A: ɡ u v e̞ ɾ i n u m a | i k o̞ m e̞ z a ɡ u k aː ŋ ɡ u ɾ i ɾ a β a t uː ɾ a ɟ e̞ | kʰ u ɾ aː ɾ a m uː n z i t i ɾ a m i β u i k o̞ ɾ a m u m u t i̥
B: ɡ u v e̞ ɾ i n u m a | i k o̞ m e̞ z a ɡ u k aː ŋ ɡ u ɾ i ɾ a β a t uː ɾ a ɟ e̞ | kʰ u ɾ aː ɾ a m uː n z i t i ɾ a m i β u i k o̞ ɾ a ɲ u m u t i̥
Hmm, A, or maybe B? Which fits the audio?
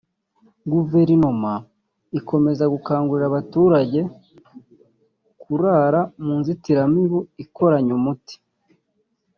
B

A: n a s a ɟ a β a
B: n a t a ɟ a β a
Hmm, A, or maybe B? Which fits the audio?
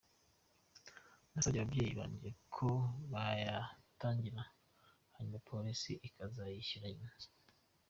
A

